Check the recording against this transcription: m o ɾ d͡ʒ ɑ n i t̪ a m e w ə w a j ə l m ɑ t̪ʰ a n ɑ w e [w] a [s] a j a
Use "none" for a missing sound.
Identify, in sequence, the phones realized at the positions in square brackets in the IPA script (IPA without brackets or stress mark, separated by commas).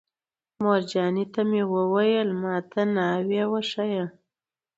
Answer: w, ʂ